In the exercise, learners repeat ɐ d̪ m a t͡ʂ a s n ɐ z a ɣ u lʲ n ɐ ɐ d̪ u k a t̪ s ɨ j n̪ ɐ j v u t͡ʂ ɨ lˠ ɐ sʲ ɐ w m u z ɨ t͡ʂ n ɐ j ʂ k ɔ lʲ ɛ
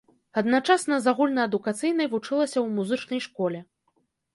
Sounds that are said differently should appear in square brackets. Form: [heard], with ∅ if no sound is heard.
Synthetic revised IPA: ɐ d̪ [n] a t͡ʂ a s n ɐ z a ɣ u lʲ n ɐ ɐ d̪ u k a t̪ s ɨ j n̪ ɐ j v u t͡ʂ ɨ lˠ ɐ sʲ ɐ w m u z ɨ t͡ʂ n ɐ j ʂ k ɔ lʲ ɛ